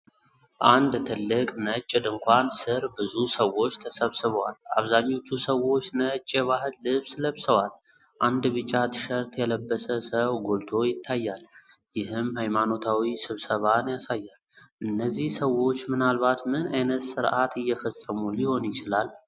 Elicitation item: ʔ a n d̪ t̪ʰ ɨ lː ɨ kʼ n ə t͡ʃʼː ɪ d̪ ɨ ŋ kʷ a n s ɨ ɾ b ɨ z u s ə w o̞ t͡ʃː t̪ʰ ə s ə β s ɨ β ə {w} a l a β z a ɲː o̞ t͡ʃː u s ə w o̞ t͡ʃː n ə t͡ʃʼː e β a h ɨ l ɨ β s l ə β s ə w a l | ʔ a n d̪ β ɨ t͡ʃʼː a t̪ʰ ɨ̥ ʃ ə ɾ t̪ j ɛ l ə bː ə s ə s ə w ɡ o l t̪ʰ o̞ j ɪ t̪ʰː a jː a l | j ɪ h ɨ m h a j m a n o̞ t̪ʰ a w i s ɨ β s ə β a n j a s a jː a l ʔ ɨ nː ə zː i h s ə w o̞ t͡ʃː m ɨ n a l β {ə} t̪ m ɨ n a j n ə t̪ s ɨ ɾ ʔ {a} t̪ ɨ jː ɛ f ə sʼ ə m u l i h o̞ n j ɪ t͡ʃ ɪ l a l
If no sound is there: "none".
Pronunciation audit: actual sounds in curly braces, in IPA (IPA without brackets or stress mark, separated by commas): w, a, a